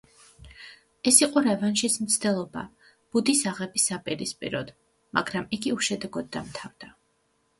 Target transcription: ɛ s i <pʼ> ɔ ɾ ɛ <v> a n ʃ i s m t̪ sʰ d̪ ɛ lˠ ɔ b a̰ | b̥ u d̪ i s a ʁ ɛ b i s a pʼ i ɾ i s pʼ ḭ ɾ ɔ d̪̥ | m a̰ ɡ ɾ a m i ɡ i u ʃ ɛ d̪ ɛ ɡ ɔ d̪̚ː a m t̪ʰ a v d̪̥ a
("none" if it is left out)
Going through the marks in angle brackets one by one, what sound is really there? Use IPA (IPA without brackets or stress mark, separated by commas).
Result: qʼ, v